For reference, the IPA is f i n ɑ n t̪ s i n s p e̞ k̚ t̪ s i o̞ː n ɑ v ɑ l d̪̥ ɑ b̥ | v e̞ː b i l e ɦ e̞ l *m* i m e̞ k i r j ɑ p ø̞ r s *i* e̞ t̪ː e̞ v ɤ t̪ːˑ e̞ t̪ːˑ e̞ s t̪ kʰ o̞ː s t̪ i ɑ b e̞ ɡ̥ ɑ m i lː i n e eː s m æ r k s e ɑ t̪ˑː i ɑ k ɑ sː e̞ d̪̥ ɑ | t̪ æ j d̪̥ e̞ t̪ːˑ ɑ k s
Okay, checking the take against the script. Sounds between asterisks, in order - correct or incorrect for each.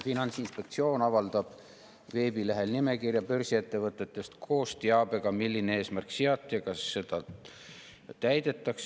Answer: incorrect, correct

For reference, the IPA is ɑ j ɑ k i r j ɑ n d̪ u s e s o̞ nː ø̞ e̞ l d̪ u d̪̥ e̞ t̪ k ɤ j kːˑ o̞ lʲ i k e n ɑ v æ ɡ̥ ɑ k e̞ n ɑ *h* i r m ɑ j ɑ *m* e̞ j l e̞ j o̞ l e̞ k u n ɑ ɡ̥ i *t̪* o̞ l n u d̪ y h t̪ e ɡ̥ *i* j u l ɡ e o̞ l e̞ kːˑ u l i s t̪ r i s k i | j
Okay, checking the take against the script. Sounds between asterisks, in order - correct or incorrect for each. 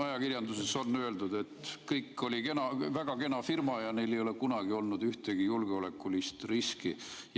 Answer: incorrect, incorrect, incorrect, correct

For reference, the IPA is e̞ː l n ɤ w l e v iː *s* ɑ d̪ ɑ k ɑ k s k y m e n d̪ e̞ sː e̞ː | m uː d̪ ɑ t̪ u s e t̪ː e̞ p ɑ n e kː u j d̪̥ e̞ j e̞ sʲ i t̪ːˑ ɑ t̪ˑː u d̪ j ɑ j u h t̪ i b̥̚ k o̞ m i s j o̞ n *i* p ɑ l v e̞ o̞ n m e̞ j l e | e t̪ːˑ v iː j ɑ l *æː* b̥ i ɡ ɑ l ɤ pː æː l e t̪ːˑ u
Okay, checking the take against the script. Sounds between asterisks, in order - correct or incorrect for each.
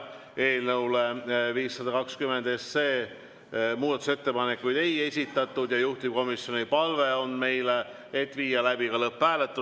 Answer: incorrect, correct, incorrect

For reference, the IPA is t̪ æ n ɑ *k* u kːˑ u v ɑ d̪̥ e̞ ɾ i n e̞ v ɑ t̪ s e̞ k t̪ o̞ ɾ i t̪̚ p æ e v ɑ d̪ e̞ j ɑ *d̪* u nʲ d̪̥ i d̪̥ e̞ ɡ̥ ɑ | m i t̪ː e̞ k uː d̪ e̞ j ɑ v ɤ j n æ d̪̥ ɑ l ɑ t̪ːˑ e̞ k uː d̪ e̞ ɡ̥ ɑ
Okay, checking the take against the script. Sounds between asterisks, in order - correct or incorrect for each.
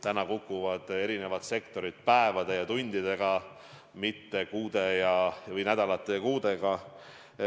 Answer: correct, incorrect

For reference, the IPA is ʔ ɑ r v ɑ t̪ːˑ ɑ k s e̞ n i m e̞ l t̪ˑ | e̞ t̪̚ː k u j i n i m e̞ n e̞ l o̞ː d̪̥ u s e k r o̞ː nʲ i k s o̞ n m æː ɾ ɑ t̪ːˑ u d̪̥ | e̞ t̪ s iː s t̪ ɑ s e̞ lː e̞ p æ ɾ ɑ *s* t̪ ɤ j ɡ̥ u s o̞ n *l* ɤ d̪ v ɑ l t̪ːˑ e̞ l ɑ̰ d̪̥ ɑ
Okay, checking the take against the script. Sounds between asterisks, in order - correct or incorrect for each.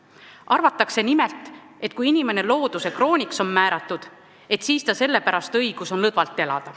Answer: correct, correct

